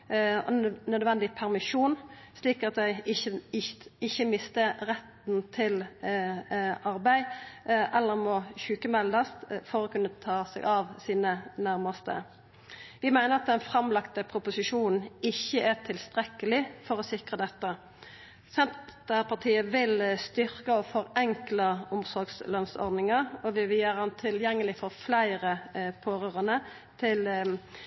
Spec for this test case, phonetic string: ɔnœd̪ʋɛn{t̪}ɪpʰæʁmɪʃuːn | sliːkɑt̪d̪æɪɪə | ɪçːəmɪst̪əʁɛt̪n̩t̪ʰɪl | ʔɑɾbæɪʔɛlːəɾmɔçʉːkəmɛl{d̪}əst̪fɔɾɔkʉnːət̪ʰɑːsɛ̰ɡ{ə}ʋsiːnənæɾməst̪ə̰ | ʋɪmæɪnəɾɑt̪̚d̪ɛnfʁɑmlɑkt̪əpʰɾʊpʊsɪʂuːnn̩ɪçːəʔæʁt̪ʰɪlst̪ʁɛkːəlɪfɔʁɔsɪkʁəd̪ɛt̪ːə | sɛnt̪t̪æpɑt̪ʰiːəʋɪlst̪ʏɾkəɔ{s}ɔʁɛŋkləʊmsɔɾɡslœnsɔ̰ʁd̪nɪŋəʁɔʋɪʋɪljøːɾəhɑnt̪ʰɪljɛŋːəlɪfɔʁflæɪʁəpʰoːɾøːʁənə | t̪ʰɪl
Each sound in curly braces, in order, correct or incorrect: incorrect, correct, incorrect, incorrect

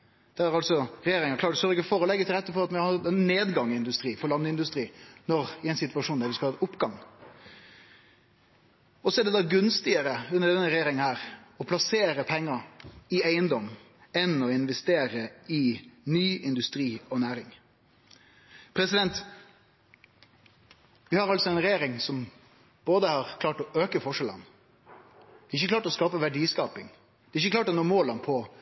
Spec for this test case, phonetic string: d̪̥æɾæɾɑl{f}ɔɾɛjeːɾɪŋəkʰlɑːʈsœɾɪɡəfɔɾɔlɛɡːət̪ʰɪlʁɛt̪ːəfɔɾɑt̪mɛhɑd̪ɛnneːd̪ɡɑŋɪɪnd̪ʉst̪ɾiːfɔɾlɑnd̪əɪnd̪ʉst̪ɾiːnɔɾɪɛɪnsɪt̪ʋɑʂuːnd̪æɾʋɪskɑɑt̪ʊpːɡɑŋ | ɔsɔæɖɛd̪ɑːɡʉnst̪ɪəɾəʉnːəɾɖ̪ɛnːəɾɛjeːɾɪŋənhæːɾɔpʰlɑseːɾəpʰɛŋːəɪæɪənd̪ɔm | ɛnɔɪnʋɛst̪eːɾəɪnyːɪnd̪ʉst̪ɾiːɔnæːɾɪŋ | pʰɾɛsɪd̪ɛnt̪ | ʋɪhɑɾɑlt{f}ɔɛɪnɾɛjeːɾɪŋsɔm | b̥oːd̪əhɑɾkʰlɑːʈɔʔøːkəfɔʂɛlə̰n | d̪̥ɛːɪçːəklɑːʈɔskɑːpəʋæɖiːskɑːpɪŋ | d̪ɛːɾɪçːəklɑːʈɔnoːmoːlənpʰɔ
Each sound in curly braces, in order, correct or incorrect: incorrect, incorrect

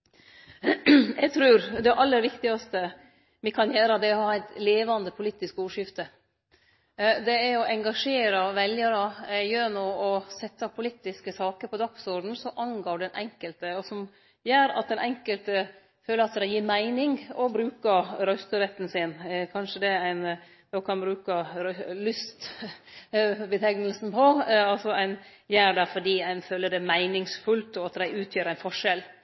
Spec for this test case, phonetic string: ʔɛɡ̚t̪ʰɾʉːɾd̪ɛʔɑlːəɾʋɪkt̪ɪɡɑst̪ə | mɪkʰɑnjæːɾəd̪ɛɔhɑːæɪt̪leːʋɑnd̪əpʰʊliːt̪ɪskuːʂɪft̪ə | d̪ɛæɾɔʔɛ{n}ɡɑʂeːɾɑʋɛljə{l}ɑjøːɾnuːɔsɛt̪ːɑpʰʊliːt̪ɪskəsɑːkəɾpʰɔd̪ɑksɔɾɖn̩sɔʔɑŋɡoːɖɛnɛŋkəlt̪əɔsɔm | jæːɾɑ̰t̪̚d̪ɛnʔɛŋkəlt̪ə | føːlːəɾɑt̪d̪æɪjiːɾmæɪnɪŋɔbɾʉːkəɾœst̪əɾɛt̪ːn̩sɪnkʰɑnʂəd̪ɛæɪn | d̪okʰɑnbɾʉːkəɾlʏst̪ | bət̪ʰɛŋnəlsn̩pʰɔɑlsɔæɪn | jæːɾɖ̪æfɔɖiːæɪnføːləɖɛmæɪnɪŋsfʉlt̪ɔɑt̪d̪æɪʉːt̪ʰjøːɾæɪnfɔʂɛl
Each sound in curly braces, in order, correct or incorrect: incorrect, incorrect

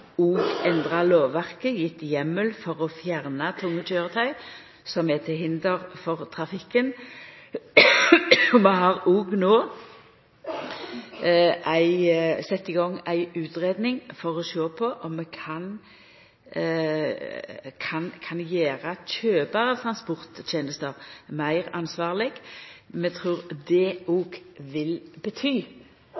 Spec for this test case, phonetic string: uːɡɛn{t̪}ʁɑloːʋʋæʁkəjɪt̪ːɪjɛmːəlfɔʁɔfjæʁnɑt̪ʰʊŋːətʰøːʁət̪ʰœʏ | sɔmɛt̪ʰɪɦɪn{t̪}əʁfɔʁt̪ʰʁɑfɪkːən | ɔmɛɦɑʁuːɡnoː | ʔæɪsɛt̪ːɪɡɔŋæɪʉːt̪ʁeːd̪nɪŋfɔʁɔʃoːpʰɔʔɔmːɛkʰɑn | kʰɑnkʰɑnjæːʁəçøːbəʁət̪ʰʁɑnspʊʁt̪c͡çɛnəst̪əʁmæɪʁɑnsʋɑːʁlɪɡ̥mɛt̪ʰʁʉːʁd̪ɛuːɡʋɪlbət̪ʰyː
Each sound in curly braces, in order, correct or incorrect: incorrect, incorrect

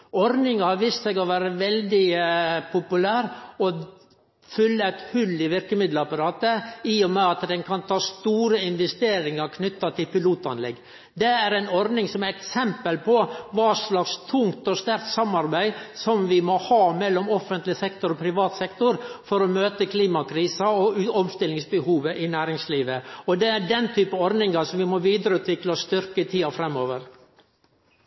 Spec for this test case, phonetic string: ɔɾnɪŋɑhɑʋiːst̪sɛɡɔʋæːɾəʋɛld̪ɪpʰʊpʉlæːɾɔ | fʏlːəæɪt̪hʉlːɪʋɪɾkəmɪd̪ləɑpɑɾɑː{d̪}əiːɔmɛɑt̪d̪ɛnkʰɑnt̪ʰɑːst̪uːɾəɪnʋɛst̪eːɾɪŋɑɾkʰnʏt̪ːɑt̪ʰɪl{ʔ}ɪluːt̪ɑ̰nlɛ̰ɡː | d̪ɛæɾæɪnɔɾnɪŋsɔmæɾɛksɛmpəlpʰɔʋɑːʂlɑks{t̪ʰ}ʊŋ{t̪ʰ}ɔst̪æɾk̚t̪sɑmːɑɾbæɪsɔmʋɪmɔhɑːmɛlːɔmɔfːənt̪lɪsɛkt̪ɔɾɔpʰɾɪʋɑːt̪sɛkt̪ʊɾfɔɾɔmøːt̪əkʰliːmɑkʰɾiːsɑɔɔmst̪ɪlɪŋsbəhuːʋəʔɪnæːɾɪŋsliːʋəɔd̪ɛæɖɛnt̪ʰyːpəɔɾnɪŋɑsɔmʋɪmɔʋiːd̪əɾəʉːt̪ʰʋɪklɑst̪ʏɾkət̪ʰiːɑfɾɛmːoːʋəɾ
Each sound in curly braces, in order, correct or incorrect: incorrect, incorrect, correct, incorrect

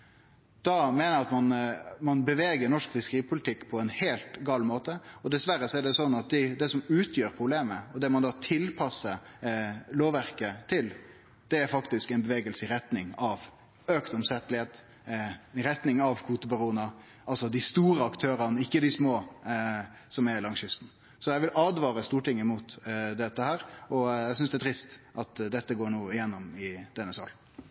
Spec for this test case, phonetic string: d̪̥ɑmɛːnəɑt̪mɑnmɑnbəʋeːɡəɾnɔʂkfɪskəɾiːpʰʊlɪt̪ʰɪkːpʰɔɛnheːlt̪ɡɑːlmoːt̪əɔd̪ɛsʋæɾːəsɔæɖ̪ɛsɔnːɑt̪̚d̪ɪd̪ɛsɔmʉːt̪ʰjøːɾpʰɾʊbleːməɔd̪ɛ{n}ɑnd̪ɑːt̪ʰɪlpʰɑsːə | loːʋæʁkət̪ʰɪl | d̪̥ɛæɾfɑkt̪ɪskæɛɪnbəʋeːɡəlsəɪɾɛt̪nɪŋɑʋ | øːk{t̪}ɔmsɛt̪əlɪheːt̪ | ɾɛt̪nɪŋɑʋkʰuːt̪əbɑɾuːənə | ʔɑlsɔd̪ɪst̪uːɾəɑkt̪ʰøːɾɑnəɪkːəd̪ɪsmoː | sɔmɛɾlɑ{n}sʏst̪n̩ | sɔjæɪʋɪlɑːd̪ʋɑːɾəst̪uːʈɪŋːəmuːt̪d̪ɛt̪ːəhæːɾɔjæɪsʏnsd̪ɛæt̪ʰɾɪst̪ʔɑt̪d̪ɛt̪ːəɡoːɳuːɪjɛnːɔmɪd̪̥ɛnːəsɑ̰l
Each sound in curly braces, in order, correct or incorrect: incorrect, correct, incorrect

